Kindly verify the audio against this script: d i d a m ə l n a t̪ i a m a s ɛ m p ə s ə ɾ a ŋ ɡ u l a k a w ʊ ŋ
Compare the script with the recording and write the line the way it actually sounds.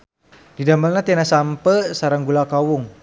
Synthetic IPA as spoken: d i d a m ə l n a t̪ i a n a s a m p ə s a ɾ a ŋ ɡ u l a k a w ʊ ŋ